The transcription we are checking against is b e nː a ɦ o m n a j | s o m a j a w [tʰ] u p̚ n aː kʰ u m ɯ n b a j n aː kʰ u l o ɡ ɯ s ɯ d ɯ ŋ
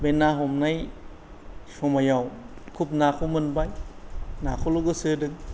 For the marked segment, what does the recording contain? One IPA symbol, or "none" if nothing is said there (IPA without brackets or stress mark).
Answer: kʰ